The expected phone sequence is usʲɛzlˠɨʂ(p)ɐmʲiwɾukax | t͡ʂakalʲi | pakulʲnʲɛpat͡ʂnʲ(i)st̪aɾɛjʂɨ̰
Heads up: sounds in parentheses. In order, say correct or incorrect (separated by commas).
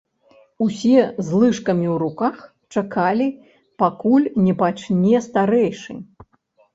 incorrect, incorrect